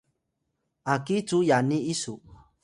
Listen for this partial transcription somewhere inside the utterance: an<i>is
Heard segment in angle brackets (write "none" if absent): i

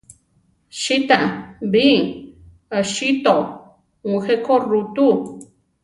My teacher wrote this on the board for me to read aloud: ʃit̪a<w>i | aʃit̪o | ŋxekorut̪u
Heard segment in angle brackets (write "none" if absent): b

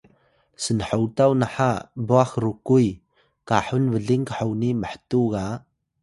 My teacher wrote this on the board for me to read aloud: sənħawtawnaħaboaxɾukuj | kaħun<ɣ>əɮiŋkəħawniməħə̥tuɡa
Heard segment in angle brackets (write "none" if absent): v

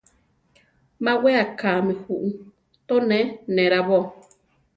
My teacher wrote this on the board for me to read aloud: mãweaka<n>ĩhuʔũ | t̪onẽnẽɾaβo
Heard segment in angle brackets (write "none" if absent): m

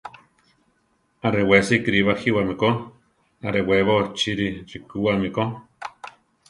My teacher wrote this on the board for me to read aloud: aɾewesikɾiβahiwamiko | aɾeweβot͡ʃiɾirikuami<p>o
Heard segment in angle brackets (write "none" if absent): k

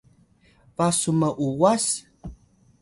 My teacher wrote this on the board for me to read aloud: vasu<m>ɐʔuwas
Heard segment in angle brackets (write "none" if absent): m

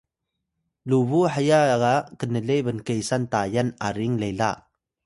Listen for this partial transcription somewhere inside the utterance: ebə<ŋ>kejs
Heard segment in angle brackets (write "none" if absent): n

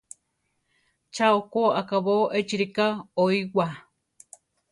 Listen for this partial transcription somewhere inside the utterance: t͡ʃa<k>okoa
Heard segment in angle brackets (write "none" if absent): none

